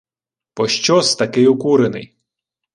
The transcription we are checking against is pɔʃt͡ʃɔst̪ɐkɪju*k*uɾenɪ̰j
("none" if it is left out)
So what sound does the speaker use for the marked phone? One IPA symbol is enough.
k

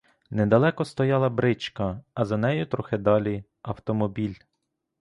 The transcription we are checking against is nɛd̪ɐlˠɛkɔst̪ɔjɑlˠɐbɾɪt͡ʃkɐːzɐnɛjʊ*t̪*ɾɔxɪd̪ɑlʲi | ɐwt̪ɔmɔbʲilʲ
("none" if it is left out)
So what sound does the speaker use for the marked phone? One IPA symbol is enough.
t̪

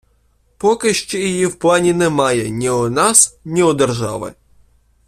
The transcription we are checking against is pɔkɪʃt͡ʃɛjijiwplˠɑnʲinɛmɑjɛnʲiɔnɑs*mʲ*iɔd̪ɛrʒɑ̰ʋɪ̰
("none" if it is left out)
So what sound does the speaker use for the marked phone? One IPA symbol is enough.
nʲ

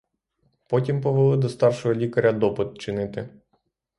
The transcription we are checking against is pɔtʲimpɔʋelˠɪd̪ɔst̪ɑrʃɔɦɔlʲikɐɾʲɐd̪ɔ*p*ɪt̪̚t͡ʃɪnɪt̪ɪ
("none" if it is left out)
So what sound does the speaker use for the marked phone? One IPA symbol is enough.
p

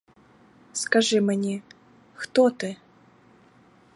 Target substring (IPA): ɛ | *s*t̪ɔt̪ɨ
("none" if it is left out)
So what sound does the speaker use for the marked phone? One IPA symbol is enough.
x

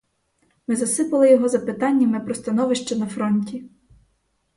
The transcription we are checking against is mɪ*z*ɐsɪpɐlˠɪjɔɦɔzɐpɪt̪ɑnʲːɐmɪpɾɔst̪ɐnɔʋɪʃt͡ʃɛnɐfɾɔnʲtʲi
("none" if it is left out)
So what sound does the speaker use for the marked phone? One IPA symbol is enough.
z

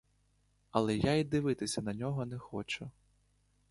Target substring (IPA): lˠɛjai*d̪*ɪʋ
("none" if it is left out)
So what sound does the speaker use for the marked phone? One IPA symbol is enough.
d̪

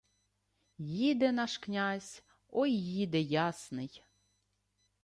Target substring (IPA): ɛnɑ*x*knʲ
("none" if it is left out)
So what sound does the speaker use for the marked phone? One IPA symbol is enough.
ʃ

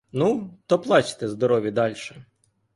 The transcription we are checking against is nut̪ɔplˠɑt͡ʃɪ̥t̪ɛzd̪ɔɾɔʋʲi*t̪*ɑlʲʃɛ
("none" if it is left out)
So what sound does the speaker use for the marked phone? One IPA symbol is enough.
d̪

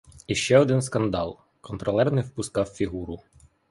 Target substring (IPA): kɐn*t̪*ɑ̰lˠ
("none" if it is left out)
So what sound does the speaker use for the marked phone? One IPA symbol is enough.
d̪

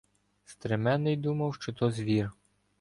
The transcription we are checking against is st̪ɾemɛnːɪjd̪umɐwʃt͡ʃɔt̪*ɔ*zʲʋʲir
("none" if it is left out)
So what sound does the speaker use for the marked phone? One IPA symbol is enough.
ɔ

